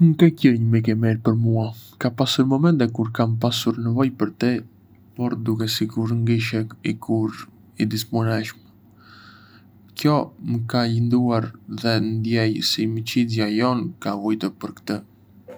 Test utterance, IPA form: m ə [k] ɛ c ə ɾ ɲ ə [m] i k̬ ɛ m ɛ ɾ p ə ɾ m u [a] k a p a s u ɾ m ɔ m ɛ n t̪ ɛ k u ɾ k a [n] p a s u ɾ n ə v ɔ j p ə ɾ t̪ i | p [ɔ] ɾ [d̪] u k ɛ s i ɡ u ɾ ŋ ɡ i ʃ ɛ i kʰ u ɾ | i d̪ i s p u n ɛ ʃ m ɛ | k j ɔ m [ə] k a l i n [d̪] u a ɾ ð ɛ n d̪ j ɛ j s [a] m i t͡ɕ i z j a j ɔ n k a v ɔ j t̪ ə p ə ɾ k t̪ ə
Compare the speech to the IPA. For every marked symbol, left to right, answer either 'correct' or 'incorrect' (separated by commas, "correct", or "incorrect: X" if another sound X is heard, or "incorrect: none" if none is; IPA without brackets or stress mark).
correct, correct, correct, incorrect: m, correct, correct, correct, correct, incorrect: i